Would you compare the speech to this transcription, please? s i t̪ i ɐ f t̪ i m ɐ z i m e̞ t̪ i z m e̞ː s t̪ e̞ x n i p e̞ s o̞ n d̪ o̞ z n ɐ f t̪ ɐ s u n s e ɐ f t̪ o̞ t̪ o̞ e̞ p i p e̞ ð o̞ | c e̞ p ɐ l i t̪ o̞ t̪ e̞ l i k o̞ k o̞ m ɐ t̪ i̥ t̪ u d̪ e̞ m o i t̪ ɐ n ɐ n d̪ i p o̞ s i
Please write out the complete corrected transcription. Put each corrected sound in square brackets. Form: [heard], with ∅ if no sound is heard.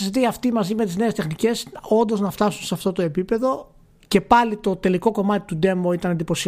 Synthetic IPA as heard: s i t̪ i ɐ f t̪ i m ɐ z i m e̞ t̪ i z [n] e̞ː s t̪ e̞ x n i [c] e̞ s o̞ n d̪ o̞ z n ɐ f t̪ ɐ s u n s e ɐ f t̪ o̞ t̪ o̞ e̞ p i p e̞ ð o̞ | c e̞ p ɐ l i t̪ o̞ t̪ e̞ l i k o̞ k o̞ m ɐ t̪ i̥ t̪ u d̪ e̞ m o i t̪ ɐ n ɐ n d̪ i p o̞ s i